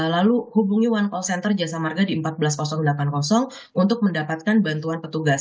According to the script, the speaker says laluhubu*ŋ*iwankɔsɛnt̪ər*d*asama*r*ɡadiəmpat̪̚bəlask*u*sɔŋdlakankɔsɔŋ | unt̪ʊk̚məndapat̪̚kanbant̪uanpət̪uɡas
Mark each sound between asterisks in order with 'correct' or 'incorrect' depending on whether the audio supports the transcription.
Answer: correct, incorrect: d͡ʒ, correct, incorrect: ɔ

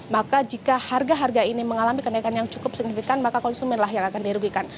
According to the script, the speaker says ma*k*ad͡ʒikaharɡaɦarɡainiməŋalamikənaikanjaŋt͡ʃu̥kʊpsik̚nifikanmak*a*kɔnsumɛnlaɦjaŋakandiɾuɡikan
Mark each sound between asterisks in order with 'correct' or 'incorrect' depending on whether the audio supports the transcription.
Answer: correct, correct

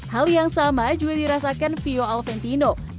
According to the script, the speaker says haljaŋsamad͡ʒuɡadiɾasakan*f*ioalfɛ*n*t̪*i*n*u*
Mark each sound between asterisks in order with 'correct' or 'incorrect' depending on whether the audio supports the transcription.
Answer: correct, correct, correct, incorrect: o

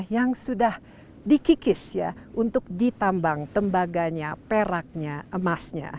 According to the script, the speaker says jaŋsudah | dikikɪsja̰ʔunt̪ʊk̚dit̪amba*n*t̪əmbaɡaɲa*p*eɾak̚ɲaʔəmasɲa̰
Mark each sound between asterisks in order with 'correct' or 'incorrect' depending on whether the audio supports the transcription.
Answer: incorrect: ŋ, correct

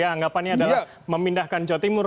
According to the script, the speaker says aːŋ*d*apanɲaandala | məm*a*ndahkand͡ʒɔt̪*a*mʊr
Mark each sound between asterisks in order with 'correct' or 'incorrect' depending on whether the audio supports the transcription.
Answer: incorrect: ɡ, incorrect: i, incorrect: i

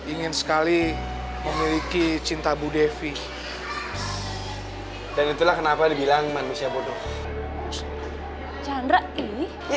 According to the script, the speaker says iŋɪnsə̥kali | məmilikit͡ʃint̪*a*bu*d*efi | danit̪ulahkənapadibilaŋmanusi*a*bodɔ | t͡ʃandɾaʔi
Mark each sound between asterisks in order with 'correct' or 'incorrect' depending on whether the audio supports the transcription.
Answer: correct, correct, correct

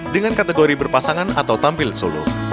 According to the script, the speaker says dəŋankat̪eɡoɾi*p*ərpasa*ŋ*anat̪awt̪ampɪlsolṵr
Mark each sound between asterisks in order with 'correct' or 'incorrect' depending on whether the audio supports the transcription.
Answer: incorrect: b, correct

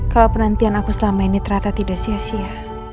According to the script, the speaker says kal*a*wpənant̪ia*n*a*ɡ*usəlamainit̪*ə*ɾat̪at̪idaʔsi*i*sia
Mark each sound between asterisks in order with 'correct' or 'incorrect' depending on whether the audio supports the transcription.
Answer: correct, correct, incorrect: k, correct, incorrect: a

